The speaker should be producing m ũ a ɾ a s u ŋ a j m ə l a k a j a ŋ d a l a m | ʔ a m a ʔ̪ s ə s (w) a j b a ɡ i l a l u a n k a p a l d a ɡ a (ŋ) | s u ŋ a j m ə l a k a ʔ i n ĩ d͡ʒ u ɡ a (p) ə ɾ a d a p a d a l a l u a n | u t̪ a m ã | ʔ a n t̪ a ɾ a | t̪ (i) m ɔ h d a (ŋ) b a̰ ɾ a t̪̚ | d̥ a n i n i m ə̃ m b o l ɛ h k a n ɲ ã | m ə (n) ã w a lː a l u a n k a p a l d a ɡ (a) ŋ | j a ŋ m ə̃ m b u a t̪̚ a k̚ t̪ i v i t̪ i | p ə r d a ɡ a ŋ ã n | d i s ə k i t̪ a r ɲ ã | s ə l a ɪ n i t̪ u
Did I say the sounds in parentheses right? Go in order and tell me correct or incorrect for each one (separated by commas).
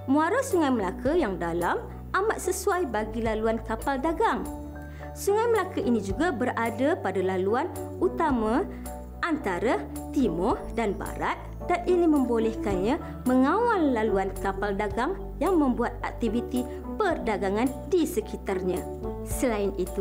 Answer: incorrect, correct, incorrect, correct, incorrect, incorrect, correct